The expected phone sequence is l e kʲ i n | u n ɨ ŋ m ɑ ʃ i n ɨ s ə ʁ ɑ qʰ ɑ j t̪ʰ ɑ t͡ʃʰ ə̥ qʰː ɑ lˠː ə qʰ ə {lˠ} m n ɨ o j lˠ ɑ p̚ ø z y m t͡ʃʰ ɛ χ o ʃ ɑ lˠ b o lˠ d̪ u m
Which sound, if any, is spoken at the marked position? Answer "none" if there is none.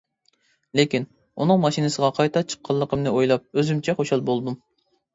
none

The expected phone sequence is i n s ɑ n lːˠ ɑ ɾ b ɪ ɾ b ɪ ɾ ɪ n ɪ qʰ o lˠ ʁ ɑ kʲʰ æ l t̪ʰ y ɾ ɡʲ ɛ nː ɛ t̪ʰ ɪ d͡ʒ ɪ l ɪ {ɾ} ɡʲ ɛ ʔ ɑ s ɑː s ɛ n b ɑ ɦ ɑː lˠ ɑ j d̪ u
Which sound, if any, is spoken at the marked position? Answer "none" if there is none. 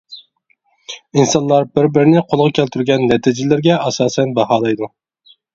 ɾ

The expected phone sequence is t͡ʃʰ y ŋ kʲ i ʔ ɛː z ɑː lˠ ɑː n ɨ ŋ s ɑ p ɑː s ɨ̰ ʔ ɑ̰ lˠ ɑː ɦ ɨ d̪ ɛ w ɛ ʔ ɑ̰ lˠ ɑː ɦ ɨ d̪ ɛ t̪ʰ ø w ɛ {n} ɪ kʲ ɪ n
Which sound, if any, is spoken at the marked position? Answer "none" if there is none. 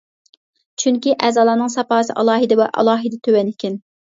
n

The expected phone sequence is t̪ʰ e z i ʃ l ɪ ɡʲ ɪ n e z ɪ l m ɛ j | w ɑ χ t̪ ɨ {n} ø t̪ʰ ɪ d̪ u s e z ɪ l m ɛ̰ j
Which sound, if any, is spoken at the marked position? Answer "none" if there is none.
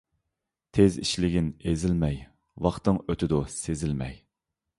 ŋ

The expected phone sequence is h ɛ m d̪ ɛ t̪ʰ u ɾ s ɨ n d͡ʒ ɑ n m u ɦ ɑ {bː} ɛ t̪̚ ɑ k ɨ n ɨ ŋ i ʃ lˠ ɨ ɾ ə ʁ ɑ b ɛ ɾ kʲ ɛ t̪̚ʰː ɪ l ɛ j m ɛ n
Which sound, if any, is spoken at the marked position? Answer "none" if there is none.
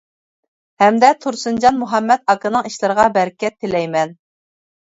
mː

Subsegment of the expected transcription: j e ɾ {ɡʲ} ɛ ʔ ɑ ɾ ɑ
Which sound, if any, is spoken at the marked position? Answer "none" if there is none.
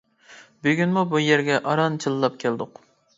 ɡʲ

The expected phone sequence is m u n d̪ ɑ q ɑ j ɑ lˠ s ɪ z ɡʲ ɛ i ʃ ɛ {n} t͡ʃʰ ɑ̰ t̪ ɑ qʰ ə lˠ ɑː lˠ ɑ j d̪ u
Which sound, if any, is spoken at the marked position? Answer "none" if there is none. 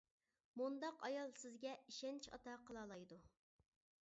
n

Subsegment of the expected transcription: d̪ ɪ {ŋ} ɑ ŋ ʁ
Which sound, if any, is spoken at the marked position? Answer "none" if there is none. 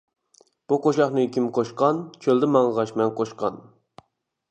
m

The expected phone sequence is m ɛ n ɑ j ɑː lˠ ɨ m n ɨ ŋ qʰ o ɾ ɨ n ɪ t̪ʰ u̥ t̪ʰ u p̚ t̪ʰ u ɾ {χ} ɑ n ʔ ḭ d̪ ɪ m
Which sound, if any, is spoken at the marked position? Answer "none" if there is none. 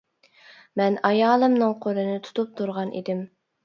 ʁ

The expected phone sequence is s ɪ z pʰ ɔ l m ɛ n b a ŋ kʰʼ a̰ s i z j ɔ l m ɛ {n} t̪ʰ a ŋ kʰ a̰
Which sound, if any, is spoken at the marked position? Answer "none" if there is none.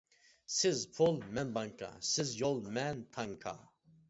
n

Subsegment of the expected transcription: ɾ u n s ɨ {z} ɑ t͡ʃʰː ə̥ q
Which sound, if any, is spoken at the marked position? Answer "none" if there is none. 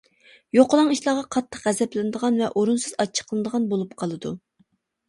z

